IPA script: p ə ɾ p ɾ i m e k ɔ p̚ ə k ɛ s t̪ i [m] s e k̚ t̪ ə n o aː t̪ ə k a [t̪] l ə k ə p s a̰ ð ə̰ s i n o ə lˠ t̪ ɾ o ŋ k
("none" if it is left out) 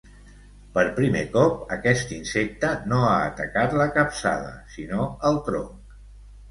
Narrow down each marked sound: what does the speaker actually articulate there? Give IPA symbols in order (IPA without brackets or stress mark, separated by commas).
n, t̪